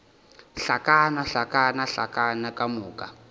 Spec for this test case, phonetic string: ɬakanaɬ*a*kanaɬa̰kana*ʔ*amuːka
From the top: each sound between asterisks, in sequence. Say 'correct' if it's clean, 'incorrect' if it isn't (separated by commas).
correct, incorrect